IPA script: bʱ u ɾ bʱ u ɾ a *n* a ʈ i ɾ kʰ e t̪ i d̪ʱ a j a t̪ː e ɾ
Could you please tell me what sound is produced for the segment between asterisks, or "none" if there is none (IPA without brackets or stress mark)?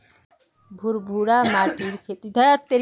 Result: m